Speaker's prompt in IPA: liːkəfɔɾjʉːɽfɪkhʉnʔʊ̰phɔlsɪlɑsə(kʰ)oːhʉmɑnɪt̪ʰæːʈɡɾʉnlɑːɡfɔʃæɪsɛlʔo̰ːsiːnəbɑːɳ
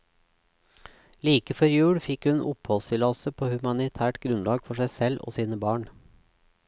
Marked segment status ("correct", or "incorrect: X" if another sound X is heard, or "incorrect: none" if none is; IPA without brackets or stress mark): incorrect: pʰ